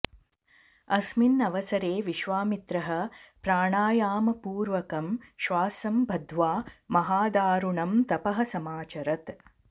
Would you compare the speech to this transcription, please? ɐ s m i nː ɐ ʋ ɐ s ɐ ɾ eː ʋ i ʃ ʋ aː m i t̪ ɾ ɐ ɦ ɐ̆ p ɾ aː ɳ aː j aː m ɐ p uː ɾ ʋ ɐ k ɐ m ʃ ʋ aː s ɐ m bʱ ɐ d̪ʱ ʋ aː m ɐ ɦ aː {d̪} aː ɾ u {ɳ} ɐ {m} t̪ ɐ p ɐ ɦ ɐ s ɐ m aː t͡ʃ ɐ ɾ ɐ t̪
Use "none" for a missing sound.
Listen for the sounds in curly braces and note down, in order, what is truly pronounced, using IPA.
d̪, ɳ, m

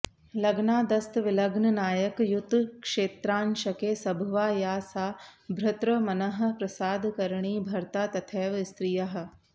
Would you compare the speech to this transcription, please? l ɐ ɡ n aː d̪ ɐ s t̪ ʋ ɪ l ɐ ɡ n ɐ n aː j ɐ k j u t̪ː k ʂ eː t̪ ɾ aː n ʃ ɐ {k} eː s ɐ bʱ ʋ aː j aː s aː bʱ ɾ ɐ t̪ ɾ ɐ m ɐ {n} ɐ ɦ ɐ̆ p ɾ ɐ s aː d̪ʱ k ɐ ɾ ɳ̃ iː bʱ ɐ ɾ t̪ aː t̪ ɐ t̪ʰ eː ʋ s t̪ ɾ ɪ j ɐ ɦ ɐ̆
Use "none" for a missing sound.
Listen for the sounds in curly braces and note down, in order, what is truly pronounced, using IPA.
k, n

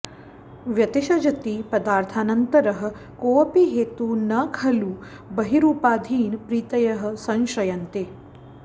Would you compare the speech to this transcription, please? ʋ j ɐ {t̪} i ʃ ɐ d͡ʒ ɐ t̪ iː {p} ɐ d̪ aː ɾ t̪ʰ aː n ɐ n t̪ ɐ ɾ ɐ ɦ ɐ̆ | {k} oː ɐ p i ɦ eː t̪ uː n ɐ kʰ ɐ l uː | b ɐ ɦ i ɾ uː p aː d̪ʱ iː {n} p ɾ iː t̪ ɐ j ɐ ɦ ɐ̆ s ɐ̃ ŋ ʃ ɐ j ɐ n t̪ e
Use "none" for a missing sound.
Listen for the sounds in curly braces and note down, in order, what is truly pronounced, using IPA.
t̪, p, k, n

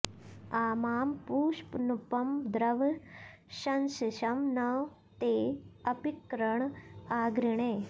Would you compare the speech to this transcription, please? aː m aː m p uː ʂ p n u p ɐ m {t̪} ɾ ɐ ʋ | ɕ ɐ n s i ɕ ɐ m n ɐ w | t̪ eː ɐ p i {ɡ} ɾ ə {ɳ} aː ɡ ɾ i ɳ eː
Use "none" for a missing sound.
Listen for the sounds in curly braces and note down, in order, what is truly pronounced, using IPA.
d̪, k, ɳ

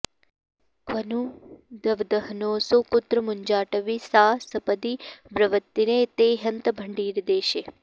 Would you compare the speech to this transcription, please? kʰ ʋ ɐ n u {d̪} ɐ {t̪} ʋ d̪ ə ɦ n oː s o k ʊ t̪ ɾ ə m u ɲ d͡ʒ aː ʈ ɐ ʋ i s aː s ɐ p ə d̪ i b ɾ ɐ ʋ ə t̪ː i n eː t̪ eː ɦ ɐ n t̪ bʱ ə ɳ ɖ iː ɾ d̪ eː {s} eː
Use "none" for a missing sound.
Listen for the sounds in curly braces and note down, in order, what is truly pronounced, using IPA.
d̪, none, ʃ

